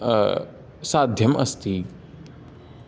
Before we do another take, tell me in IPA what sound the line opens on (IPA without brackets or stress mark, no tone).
s